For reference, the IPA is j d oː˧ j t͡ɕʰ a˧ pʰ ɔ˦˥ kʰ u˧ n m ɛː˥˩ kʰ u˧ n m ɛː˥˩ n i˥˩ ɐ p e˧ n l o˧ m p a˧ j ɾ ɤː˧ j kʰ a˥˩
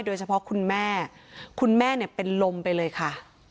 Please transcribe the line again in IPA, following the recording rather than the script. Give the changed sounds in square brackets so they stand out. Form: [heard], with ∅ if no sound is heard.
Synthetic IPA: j d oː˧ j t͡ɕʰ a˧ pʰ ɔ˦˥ kʰ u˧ n m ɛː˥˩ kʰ u˧ n m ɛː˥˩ n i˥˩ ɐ p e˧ n l o˧ m p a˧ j [l] ɤː˧ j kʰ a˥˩